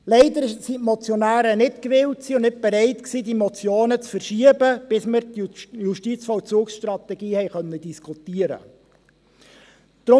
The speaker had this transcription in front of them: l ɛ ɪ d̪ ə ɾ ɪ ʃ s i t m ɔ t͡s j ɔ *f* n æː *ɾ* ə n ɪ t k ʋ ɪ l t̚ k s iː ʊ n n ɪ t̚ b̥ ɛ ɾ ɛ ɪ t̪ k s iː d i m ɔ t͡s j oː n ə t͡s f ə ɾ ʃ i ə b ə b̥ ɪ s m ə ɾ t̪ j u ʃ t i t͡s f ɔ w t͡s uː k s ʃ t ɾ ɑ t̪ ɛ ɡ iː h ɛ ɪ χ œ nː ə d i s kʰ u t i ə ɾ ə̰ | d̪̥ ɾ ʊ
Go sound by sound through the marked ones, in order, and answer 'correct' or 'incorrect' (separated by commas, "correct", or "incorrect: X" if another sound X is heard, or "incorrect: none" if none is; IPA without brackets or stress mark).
incorrect: none, correct